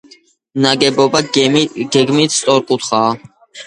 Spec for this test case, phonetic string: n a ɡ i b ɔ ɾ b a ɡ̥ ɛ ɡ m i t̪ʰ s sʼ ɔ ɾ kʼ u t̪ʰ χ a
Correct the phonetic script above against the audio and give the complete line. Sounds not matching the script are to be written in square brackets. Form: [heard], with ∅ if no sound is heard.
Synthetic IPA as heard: n a ɡ [ɛ] b ɔ [∅] b a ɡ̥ ɛ ɡ m i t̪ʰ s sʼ ɔ ɾ kʼ u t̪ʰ χ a